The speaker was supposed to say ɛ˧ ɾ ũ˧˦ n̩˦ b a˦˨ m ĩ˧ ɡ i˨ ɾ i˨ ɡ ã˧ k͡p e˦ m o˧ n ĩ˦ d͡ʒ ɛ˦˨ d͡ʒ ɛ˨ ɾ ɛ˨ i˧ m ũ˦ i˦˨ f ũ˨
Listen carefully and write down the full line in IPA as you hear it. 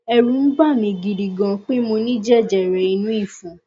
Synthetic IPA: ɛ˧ ɾ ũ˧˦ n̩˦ b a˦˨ m ĩ˧ ɡ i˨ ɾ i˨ ɡ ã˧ k͡p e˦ m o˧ n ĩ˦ d͡ʒ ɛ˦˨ d͡ʒ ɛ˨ ɾ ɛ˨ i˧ n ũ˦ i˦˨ f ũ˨